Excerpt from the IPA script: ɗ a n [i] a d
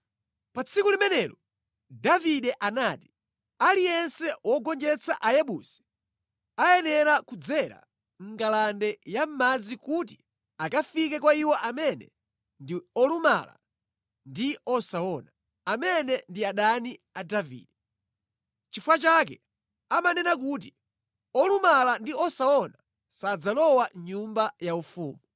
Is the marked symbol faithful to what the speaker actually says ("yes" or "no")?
yes